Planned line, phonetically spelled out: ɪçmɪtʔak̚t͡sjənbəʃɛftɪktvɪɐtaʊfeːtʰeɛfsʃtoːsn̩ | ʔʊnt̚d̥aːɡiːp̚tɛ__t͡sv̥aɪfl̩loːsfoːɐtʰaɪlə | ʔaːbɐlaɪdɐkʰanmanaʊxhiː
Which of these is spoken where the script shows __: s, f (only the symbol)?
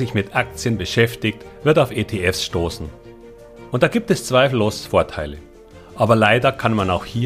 s